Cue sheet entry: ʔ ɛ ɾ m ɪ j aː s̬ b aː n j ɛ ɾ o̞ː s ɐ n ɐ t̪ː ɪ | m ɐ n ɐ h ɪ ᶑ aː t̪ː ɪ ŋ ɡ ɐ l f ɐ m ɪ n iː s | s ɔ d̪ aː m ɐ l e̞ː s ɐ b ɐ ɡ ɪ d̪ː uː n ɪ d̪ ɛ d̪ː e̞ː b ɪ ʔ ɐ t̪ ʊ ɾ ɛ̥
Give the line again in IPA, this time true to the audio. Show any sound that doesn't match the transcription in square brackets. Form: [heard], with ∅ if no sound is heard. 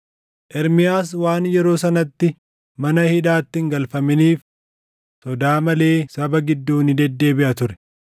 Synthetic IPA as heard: ʔ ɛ ɾ m ɪ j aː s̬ [w] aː n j ɛ ɾ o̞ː s ɐ n ɐ t̪ː ɪ | m ɐ n ɐ h ɪ ᶑ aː t̪ː ɪ ŋ ɡ ɐ l f ɐ m ɪ n iː [f] | s ɔ d̪ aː m ɐ l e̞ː s ɐ b ɐ ɡ ɪ d̪ː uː n ɪ d̪ ɛ d̪ː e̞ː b ɪ ʔ ɐ t̪ ʊ ɾ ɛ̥